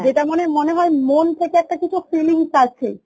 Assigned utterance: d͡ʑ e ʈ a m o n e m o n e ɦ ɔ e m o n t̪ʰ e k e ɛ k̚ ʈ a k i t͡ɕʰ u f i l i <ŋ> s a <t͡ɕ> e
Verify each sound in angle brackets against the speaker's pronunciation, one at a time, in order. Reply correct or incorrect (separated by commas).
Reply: correct, incorrect